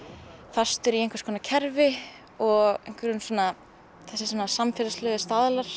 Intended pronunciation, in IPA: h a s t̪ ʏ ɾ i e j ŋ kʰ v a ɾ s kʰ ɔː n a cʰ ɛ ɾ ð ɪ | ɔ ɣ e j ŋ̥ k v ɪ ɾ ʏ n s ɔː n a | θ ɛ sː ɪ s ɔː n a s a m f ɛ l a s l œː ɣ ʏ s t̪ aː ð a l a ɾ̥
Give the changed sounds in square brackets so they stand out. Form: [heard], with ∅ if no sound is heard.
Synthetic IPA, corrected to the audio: [f] a s t̪ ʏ ɾ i e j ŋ [k] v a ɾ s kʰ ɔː n a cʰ ɛ ɾ [v] ɪ | ɔ ɣ e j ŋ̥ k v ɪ ɾ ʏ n s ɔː n a | θ ɛ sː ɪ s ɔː n a s a m f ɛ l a s l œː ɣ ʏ s t̪ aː ð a l a ɾ̥